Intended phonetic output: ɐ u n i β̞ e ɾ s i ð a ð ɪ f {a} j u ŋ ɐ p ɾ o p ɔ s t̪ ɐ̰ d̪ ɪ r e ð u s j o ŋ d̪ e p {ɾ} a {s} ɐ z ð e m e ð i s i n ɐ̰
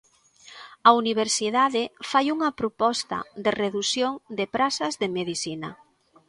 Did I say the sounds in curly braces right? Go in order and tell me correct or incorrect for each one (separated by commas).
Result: correct, correct, correct